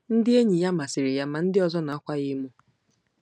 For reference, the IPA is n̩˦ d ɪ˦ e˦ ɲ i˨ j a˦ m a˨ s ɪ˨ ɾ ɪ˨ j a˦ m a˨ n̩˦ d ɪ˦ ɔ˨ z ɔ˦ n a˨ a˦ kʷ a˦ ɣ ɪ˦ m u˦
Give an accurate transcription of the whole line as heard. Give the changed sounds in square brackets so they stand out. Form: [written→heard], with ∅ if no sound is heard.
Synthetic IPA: n̩˦ d ɪ˦ e˦ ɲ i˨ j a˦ m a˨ s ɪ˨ ɾ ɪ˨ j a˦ m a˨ n̩˦ d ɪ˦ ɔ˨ z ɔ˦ n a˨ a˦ kʷ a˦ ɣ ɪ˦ m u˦